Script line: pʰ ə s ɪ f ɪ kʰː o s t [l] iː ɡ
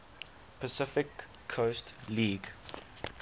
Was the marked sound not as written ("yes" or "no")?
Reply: no